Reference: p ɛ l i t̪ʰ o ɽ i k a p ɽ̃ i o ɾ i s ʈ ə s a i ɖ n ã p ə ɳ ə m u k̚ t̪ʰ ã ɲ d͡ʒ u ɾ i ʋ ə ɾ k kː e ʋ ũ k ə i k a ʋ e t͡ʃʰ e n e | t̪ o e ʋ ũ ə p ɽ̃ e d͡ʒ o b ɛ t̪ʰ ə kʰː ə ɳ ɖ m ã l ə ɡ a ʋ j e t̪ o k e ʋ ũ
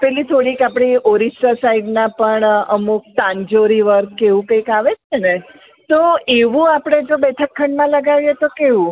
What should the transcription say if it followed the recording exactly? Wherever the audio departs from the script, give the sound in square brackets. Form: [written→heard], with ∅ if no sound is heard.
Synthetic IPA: p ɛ l i t̪ʰ o ɽ i k a p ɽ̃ i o ɾ i s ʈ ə s a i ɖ n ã p ə ɳ ə m u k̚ [t̪ʰ→t̪] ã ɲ d͡ʒ [u→o] ɾ i ʋ ə ɾ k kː e ʋ ũ k ə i k a ʋ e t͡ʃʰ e n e | t̪ o e ʋ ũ [ə→a] p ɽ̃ e d͡ʒ o b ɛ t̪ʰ ə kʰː ə ɳ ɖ m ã l ə ɡ a ʋ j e t̪ o k e ʋ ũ

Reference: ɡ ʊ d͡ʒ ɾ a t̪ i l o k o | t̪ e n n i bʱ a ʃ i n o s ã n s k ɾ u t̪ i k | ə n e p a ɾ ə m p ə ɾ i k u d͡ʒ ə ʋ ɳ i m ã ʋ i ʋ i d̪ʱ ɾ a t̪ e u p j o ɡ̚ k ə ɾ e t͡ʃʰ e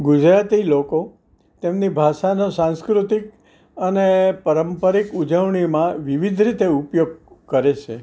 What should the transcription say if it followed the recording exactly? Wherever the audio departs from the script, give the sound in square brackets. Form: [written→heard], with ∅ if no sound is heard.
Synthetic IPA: ɡ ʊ d͡ʒ ɾ a t̪ i l o k o | t̪ e [n→m] n i bʱ a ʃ [i→a] n o s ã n s k ɾ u t̪ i k | ə n e p [a→ə] ɾ ə m p ə ɾ i k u d͡ʒ ə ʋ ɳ i m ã ʋ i ʋ i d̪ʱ ɾ [a→i] t̪ e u p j o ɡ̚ k ə ɾ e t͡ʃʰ e

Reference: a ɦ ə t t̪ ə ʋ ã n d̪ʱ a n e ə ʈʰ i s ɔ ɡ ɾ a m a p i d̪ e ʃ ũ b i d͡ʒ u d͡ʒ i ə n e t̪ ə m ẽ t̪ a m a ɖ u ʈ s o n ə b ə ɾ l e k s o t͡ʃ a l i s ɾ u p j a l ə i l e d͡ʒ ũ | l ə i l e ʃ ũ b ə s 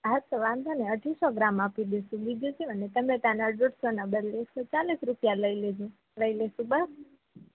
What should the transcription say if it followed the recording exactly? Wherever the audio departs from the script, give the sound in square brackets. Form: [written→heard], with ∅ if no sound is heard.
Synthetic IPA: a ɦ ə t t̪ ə ʋ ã n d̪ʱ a n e ə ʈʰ i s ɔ ɡ ɾ a m a p i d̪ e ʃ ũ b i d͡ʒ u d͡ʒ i ə n e t̪ ə m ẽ t̪ a [m→n] a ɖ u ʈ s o n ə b ə ɾ l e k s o t͡ʃ a l i s ɾ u p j a l ə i l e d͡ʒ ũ | l ə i l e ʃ ũ b ə s

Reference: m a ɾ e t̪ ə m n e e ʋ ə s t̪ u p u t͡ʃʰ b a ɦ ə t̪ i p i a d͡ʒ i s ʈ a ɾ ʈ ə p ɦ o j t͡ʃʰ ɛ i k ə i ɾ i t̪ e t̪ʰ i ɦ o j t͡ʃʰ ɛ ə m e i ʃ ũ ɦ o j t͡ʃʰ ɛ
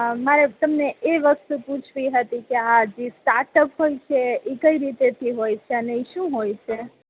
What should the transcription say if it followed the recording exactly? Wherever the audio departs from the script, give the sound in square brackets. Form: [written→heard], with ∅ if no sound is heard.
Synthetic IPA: m a ɾ e t̪ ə m n e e ʋ ə s t̪ u p u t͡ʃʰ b [a→i] ɦ ə t̪ i [p→k] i a d͡ʒ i s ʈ a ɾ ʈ ə p ɦ o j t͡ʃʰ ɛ i k ə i ɾ i t̪ e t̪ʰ i ɦ o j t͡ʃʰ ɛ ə [m→n] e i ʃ ũ ɦ o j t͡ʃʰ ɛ

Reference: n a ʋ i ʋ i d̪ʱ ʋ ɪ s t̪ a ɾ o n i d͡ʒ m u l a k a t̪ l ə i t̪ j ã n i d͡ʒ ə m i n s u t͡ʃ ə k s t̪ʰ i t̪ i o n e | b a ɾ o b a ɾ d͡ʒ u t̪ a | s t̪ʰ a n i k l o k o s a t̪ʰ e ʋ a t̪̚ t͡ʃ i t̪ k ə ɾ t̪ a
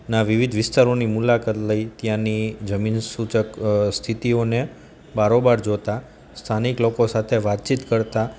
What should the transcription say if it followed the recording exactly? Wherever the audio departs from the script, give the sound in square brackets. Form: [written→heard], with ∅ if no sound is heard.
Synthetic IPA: n a ʋ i ʋ i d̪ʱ ʋ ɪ s t̪ a ɾ o n i [d͡ʒ→∅] m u l a k a t̪ l ə i t̪ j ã n i d͡ʒ ə m i n s u t͡ʃ ə k s t̪ʰ i t̪ i o n e | b a ɾ o b a ɾ d͡ʒ [u→o] t̪ a | s t̪ʰ a n i k l o k o s a t̪ʰ e ʋ a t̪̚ t͡ʃ i t̪ k ə ɾ t̪ a

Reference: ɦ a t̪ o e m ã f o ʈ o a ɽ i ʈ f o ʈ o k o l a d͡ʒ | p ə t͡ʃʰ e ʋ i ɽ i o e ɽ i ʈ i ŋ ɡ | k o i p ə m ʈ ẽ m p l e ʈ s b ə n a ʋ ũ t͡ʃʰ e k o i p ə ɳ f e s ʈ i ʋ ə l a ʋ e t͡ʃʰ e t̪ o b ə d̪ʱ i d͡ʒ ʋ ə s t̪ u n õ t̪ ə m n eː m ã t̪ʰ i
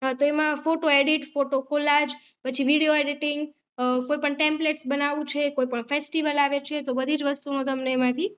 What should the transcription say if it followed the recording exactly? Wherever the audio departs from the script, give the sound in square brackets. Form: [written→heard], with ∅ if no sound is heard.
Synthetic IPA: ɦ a t̪ o e m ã f o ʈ o [a→e] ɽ i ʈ f o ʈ o k o l a d͡ʒ | p ə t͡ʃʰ [e→i] ʋ i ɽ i o e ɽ i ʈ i ŋ ɡ | k o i p ə [m→ɳ] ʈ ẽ m p l e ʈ s b ə n a ʋ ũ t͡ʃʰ e k o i p ə ɳ f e s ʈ i ʋ ə l a ʋ e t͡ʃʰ e t̪ o b ə d̪ʱ i d͡ʒ ʋ ə s t̪ u n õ t̪ ə m n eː m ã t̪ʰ i

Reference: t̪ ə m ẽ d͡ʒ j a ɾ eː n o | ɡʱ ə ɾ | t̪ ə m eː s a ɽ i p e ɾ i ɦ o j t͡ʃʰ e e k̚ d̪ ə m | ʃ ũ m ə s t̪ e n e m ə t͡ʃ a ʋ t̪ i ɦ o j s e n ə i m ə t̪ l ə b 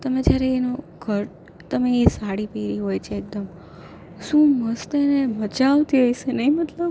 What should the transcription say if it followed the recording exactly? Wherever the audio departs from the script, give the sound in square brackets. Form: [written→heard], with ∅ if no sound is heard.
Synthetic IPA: t̪ ə m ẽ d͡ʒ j a ɾ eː n o | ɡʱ ə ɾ | t̪ ə m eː s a ɽ i p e ɾ i ɦ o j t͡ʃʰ e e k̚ d̪ ə m | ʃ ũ m ə s t̪ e n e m ə t͡ʃ a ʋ t̪ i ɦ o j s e n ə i m ə t̪ l ə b

